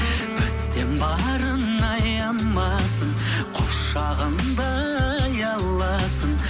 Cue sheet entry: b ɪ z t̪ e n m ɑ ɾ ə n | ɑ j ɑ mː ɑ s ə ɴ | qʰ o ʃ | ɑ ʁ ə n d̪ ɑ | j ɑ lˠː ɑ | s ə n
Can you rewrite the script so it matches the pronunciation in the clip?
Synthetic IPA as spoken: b ɪ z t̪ e n b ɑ ɾ ə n | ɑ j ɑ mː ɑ s ə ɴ | qʰ o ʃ | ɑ ʁ ə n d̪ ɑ | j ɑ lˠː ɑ | s ə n